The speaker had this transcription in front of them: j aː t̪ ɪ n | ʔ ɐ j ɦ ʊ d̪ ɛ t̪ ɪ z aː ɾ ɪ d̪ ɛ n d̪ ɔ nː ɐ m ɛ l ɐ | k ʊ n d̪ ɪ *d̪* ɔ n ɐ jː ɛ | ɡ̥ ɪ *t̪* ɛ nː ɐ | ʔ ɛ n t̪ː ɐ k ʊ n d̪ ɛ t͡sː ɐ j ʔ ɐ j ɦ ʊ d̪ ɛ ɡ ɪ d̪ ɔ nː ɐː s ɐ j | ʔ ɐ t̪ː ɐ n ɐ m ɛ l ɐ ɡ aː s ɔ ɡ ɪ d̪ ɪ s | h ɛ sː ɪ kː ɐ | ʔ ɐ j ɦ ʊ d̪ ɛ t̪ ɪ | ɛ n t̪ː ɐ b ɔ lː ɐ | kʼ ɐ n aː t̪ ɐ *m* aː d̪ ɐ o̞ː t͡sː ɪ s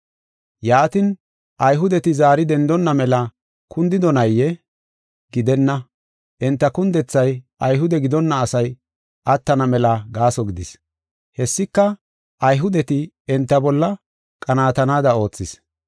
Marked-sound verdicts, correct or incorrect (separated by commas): correct, incorrect, incorrect